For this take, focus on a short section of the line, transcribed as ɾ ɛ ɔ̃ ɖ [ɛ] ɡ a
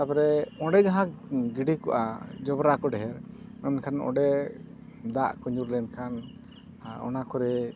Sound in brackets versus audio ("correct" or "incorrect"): correct